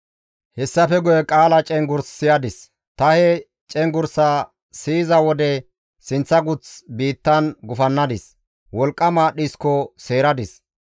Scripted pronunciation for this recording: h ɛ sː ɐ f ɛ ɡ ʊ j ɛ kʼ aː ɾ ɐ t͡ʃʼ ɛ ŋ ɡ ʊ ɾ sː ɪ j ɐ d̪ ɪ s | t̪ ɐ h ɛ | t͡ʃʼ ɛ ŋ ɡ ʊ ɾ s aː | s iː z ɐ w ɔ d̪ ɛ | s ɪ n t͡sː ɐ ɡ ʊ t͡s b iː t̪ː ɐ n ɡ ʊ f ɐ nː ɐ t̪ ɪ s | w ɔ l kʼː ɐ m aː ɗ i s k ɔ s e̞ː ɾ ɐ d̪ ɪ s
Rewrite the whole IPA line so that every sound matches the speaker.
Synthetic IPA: h ɛ sː ɐ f ɛ ɡ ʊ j ɛ kʼ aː l ɐ t͡ʃʼ ɛ ŋ ɡ ʊ ɾ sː ɪ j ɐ d̪ ɪ s | t̪ ɐ h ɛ | t͡ʃʼ ɛ ŋ ɡ ʊ ɾ s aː | s iː z ɐ w ɔ d̪ ɛ | s ɪ n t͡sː ɐ ɡ ʊ t͡s b iː t̪ː ɐ n ɡ ʊ f ɐ nː ɐ d̪ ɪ s | w ɔ l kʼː ɐ m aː ɗ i s k ɔ s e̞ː ɾ ɐ d̪ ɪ s